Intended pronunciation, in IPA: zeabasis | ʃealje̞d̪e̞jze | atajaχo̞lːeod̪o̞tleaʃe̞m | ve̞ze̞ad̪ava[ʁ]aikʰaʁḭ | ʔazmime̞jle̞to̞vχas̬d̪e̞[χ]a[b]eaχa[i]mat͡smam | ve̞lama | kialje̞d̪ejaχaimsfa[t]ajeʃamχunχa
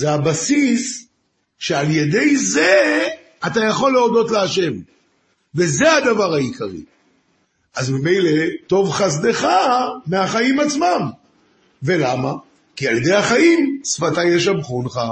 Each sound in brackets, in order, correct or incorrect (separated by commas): correct, correct, incorrect, correct, correct